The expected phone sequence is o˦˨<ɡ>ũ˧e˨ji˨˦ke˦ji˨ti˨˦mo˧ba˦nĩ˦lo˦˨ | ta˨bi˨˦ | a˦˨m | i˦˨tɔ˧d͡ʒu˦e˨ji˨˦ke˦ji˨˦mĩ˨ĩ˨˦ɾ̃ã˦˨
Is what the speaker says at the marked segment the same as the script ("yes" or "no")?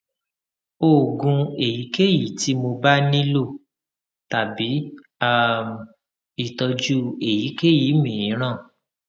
yes